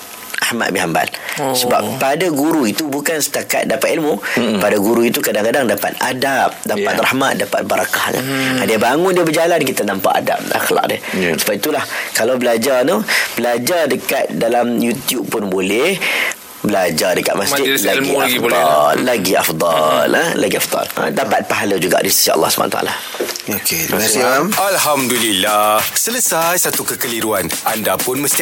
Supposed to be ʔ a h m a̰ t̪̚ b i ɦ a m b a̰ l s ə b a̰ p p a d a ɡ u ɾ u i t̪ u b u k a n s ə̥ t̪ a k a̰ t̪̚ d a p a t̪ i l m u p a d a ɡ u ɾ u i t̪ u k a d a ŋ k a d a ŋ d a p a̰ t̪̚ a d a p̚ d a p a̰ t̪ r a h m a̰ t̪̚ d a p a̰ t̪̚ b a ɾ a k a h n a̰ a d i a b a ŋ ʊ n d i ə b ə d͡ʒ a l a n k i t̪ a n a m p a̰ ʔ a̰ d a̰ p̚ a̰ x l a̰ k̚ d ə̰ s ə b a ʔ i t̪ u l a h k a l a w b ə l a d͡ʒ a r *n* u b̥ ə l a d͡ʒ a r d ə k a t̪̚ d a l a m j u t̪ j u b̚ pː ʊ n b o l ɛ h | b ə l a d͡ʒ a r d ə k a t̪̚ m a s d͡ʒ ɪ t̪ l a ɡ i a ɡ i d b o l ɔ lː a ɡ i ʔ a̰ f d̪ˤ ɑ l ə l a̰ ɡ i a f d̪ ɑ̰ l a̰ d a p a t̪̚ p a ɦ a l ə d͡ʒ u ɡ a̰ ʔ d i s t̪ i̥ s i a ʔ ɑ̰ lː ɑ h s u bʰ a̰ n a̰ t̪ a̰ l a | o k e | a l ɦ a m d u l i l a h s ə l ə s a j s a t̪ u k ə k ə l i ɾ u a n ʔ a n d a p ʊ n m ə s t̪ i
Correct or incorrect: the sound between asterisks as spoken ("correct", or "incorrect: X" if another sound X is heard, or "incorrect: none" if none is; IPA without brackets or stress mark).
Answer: correct